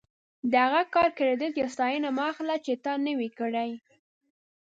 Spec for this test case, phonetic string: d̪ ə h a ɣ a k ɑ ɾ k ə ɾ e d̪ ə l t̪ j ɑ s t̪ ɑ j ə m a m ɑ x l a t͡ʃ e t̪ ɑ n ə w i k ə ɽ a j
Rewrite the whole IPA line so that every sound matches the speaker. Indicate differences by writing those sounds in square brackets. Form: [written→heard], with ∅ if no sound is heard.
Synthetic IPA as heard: d̪ ə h a ɣ a k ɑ ɾ k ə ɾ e d̪ ə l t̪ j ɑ s t̪ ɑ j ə [m→n] a m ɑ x l a t͡ʃ e t̪ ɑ n ə w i k ə ɽ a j